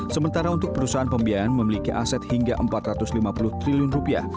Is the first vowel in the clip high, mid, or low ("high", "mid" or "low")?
mid